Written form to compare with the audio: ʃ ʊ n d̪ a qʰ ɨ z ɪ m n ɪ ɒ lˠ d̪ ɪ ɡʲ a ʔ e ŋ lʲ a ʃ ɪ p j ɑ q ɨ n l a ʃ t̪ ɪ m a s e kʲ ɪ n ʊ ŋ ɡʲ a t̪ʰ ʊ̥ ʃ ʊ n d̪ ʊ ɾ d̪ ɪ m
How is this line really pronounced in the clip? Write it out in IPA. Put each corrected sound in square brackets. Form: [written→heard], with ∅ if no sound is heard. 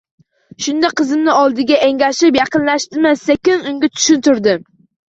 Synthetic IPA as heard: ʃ ʊ n d̪ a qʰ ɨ z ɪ m n ɪ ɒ lˠ d̪ ɪ ɡʲ a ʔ e ŋ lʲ a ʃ ɪ p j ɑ q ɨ n l a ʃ t̪ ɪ m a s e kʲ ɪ n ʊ ŋ ɡʲ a t̪ʰ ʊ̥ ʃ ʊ n [d̪→t̪] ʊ ɾ d̪ ɪ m